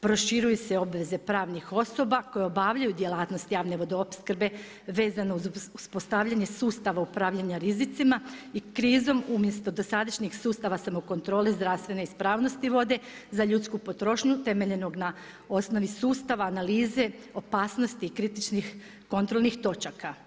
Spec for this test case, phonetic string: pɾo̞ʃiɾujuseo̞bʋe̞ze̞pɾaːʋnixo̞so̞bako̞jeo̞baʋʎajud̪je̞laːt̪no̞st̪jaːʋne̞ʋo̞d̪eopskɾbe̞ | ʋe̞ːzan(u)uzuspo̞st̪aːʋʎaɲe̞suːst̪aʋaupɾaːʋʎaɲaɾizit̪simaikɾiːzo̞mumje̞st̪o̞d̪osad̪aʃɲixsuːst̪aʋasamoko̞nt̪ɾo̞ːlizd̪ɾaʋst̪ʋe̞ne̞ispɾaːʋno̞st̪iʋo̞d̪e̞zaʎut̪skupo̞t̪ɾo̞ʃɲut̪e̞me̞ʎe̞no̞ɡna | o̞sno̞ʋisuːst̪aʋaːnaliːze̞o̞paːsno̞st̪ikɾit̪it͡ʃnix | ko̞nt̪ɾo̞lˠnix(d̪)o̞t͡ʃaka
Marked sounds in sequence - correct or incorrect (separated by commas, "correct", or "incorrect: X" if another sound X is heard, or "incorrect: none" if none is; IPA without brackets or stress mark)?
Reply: incorrect: o, incorrect: t̪